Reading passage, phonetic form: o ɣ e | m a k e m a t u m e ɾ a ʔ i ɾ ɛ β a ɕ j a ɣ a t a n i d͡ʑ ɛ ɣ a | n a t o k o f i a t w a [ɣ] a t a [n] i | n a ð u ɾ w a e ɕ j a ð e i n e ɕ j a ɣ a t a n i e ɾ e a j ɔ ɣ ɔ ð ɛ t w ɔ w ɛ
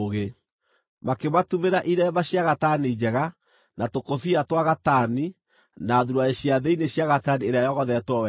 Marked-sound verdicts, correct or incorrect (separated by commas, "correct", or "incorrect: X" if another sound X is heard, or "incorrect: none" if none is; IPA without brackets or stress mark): correct, correct